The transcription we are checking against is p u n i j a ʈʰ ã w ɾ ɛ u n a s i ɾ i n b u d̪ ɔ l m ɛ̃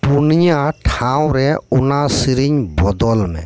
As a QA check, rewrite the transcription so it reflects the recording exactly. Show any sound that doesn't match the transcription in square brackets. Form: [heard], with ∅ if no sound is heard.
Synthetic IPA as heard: p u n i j a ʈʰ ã w ɾ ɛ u n a s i ɾ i [ɲ] b [ɔ] d̪ ɔ l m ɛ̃